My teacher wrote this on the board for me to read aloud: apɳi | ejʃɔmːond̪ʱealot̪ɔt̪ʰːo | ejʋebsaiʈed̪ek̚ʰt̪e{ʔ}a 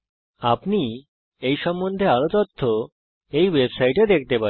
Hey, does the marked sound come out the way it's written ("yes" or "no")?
no